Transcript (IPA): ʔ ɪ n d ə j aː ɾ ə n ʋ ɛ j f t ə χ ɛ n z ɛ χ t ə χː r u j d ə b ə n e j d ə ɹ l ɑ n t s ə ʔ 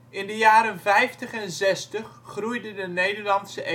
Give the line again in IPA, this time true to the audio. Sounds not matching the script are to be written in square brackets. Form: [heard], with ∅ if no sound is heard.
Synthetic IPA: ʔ ɪ n d ə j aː ɾ ə n [v] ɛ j f t ə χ ɛ n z ɛ [s] t ə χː r u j d ə [d] ə n e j d ə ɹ l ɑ n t s ə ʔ